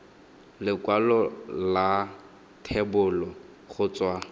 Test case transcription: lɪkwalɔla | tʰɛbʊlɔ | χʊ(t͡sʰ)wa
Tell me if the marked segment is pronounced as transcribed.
no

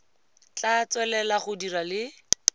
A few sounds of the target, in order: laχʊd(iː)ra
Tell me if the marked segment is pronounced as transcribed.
no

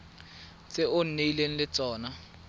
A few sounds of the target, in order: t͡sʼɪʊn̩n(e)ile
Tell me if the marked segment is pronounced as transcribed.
yes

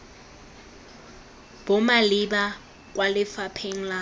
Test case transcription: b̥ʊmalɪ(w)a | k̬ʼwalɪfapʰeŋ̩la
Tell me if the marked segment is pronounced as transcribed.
no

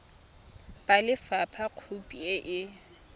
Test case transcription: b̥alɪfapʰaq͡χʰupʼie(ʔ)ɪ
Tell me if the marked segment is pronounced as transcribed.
yes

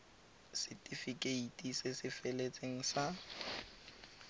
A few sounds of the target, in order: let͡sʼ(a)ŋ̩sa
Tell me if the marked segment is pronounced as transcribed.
no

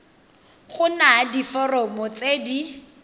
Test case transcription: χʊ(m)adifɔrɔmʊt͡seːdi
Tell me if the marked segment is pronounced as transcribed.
no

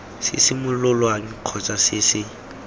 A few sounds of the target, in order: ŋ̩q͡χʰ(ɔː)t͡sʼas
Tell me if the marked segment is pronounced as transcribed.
no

